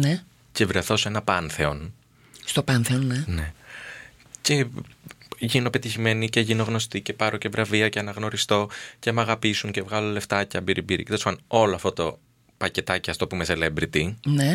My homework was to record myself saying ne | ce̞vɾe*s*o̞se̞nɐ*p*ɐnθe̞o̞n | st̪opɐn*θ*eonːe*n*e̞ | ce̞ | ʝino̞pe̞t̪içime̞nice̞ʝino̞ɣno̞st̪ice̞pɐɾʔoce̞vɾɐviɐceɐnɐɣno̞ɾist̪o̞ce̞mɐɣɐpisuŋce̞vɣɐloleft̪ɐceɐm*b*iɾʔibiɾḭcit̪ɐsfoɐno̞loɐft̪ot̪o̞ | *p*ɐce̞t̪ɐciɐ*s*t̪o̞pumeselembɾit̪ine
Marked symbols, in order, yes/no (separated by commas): no, yes, yes, yes, yes, yes, no